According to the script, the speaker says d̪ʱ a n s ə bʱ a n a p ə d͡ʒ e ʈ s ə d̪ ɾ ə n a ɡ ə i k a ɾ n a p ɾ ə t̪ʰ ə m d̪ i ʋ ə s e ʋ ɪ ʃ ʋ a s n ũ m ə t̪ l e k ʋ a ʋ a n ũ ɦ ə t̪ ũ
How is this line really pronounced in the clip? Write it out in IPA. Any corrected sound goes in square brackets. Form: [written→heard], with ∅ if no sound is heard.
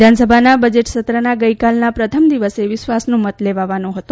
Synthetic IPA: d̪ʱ a n s ə bʱ a n a [p→b] ə d͡ʒ e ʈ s ə [d̪→t̪] ɾ ə n a ɡ ə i k a [ɾ→l] n a p ɾ ə t̪ʰ ə m d̪ i ʋ ə s e ʋ ɪ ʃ ʋ a s n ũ m ə t̪ l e [k→∅] ʋ a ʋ a n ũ ɦ ə t̪ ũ